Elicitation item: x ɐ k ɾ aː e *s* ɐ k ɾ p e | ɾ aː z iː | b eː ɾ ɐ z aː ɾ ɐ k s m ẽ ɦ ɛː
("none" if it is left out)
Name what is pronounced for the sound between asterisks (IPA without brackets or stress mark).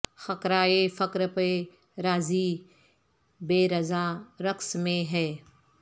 f